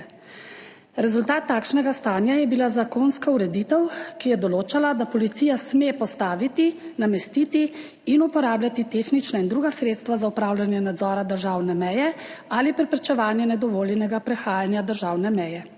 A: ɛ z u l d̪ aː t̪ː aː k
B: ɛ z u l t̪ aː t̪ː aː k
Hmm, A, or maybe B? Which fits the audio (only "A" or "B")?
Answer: B